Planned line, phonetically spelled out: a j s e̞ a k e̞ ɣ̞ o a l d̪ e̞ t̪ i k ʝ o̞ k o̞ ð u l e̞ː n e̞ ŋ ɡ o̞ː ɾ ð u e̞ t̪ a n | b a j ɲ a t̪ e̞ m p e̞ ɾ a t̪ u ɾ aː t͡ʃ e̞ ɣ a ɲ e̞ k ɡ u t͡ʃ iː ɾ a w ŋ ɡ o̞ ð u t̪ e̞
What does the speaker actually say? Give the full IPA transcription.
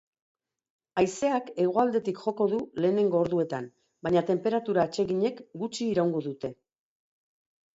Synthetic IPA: a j s e̞ a k e̞ ɣ̞ o a l d̪ e̞ t̪ i k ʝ o̞ k o̞ ð u l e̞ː n e̞ ŋ ɡ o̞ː ɾ ð u e̞ t̪ a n | b a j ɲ a t̪ e̞ m p e̞ ɾ a t̪ u ɾ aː t͡ʃ e̞ ɣ i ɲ e̞ k ɡ u t͡ʃ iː ɾ a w ŋ ɡ o̞ ð u t̪ e̞